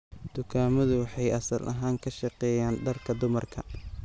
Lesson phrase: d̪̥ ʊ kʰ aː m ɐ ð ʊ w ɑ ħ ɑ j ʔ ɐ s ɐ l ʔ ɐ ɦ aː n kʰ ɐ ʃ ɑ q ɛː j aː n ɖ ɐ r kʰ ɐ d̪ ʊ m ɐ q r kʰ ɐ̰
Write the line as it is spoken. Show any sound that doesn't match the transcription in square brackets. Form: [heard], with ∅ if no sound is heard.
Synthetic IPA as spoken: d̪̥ ʊ kʰ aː m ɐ ð ʊ w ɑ ħ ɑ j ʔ ɐ s ɐ l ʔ ɐ ɦ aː [ŋ] kʰ ɐ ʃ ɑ q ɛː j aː n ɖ ɐ r kʰ ɐ d̪ ʊ m ɐ [∅] r kʰ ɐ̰

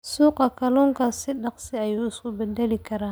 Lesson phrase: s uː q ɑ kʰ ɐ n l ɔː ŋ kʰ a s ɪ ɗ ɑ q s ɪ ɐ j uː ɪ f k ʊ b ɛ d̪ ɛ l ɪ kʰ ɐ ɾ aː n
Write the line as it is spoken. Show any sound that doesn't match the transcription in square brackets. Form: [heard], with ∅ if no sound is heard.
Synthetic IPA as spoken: s uː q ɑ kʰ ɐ [∅] l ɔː ŋ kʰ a s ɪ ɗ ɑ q s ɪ ɐ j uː ɪ [s] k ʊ b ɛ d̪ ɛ l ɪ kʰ ɐ ɾ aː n

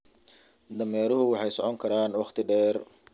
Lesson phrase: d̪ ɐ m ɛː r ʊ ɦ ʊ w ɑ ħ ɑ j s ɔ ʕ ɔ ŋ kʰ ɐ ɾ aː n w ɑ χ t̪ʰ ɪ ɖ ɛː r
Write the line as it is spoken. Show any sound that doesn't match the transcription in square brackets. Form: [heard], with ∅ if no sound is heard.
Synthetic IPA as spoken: d̪ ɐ m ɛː [ɾ] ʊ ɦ ʊ w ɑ ħ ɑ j s ɔ ʕ ɔ ŋ kʰ ɐ ɾ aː n w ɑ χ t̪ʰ ɪ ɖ ɛː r

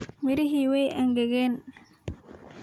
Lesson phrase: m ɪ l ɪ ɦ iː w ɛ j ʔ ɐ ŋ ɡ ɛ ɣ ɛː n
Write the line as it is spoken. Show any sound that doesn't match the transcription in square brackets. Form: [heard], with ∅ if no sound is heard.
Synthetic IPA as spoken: m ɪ [ɾ] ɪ ɦ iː w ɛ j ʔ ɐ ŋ ɡ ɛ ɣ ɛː n

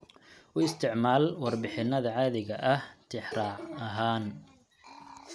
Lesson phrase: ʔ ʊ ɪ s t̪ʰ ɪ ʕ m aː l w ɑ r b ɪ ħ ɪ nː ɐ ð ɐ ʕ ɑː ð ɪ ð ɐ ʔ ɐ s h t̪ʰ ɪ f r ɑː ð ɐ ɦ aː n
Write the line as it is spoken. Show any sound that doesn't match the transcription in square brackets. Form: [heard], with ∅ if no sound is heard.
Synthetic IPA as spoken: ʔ ʊ ɪ s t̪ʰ ɪ ʕ m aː l w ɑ r b ɪ ħ ɪ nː ɐ ð ɐ ʕ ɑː ð ɪ [ɣ] ɐ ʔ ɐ [∅] h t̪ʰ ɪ [ħ] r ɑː [ʕ] ɐ ɦ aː n

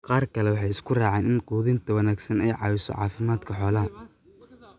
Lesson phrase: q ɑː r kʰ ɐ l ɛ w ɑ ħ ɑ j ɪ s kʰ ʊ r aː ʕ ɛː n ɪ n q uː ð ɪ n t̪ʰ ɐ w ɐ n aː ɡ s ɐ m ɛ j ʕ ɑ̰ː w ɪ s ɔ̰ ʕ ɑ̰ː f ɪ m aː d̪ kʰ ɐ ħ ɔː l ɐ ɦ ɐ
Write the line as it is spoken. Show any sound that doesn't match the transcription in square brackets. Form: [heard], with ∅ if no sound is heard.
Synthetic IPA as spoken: q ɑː r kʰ ɐ l ɛ w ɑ ħ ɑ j ɪ s kʰ ʊ r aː ʕ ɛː n ɪ n q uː ð ɪ n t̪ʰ ɐ w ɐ n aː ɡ s ɐ [n] ɛ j ʕ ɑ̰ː w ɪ s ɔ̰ ʕ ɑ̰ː f ɪ m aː d̪ kʰ ɐ ħ ɔː l ɐ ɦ ɐ

